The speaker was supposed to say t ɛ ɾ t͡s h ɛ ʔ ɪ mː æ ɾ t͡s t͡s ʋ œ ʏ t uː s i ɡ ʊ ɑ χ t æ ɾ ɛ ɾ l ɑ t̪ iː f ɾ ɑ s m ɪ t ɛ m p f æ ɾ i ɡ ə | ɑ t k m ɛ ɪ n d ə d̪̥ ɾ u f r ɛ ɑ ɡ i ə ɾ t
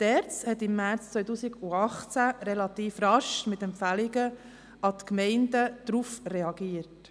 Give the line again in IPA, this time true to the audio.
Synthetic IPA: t ɛ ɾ t͡s h ɛ t ɪ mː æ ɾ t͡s t͡s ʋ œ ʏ t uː s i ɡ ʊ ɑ χ t͡s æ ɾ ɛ l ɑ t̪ iː f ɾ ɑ ʃ m ɪ t ɛ m p f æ l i ɡ ə | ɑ t k m ɛ ɪ n d ə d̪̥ ɾ u f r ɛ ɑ ɡ i ə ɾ t

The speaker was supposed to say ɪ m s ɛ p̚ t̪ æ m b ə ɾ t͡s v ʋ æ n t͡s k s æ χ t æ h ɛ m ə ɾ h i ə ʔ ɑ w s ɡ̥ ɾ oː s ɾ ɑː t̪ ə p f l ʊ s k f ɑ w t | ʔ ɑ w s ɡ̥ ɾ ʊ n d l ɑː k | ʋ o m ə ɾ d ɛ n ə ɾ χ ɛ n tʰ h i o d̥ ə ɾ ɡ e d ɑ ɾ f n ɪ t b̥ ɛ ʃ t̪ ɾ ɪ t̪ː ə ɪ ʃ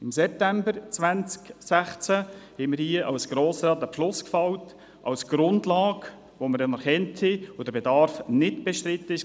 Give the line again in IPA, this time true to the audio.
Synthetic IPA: ɪ m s ɛ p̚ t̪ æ m b ə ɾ t͡s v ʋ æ n t͡s k s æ χ t͡s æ h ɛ m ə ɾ h i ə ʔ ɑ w s ɡ̥ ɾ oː s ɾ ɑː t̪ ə p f l ʊ s k f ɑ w t | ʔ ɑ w s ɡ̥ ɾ ʊ n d l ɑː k | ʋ o m ə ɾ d ɛ n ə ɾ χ ɛ n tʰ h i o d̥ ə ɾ b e d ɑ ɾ f n ɪ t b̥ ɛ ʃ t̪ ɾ ɪ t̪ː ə ɪ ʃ

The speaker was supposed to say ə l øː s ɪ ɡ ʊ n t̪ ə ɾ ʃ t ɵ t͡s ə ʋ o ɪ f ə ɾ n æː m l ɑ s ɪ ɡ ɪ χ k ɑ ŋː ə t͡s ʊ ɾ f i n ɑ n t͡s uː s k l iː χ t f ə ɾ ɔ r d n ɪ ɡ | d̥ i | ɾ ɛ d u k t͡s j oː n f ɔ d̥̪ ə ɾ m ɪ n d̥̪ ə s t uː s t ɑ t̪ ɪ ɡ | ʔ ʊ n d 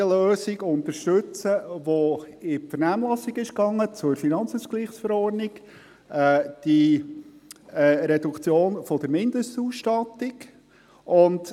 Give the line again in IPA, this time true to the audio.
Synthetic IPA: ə l øː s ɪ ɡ ʊ n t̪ ə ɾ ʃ t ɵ t͡s ə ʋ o ɪ f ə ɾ n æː m l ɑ s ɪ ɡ ɪ ʃ k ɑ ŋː ə t͡s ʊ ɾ f i n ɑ n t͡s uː s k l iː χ s f ə ɾ ɔ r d n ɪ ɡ | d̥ i | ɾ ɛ d u k t͡s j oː n f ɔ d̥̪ ə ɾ m ɪ n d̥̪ ə s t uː s t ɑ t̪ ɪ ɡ | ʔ ʊ n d

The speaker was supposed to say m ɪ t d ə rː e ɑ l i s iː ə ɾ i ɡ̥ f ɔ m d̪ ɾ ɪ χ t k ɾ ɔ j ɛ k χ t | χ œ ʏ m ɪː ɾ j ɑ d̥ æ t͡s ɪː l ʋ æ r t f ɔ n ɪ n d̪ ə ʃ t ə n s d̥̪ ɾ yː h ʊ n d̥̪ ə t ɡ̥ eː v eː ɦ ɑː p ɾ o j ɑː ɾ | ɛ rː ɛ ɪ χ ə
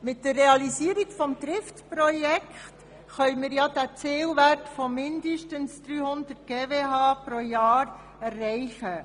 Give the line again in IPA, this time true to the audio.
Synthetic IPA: m ɪ t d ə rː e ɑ l i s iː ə ɾ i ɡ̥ f ɔ m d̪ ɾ ɪ f t p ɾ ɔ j ɛ k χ t | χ œ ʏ m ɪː ɾ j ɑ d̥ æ t͡s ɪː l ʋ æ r t f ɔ m ɪ n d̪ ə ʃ t ə n s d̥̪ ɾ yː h ʊ n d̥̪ ə t ɡ̥ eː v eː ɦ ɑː p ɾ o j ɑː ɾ | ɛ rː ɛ ɪ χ ə

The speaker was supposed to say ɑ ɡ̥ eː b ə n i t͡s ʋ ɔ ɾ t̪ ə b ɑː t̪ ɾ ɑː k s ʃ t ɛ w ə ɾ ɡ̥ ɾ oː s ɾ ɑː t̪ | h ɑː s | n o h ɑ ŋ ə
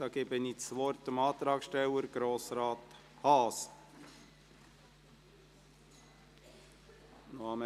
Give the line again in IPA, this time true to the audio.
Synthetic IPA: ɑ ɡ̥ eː b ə n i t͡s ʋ ɔ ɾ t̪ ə m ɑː t̪ ɾ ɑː k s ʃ t ɛ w ə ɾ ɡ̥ ɾ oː s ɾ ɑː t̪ | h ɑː s | n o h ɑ m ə

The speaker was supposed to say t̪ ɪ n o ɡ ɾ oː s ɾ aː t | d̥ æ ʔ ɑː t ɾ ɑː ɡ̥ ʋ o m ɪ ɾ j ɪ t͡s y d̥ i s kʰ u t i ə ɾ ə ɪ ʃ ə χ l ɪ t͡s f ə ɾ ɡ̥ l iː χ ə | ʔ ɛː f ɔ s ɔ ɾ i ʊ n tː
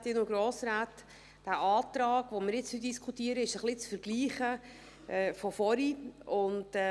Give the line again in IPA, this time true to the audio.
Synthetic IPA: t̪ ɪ n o ɡ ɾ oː s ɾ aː t | d̥ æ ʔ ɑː t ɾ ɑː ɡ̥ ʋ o m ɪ ɾ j ɪ t͡s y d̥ i s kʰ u t i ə ɾ ə ɪ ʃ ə χ l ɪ t͡s f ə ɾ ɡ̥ l iː χ ə | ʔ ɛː f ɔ f ɔ ɾ i ʊ n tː

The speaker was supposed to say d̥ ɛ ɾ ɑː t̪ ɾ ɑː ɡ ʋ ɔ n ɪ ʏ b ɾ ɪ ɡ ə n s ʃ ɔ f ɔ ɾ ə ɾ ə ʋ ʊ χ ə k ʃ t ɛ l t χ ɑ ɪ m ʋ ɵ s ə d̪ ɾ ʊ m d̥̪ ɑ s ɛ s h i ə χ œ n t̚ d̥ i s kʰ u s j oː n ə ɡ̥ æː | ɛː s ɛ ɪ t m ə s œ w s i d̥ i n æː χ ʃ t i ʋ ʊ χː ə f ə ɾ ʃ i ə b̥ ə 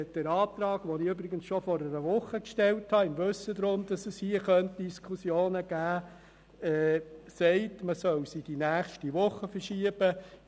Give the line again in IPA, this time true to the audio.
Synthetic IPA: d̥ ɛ ɾ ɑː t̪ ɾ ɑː ɡ ʋ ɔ n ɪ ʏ b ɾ ɪ ɡ ə n s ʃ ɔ f ɔ ɾ ə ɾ ə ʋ ʊ χ ə k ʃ t ɛ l t h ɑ ɪ m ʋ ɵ s ə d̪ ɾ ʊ m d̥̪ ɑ s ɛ s h i ə χ œ n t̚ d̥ i s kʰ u s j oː n ə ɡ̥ æː | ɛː s ɛ ɪ t m ə s œ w s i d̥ i n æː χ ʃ t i ʋ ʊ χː ə f ə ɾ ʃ i ə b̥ ə

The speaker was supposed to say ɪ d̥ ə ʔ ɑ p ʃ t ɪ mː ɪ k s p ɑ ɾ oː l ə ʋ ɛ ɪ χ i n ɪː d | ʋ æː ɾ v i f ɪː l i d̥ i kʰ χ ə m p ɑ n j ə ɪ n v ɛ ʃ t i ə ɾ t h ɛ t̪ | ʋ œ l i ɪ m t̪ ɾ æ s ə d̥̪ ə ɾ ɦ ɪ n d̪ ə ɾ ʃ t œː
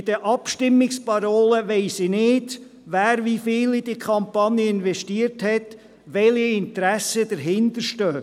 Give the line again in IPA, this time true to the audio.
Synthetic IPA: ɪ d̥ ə ʔ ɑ p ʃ t ɪ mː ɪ k s p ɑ ɾ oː l ə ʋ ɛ ɪ s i n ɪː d | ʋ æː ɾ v i f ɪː l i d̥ i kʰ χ ɑ m p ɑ n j ə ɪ n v ɛ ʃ t i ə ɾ t h ɛ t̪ | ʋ ɛ l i ɪ n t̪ ɾ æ s ə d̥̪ ə ɾ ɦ ɪ n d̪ ə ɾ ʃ t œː

